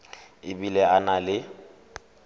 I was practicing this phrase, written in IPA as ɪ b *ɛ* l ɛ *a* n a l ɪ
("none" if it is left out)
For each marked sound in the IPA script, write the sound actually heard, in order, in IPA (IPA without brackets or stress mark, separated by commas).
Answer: i, a